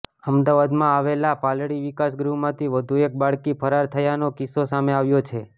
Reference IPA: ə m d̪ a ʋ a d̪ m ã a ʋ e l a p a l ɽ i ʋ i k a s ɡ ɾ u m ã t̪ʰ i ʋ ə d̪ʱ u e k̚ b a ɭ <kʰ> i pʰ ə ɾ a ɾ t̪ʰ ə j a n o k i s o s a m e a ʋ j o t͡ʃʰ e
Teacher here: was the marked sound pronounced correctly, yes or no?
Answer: no